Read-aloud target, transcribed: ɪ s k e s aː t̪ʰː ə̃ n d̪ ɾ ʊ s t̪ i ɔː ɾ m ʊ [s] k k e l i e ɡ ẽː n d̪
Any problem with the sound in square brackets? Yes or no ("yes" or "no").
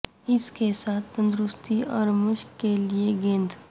yes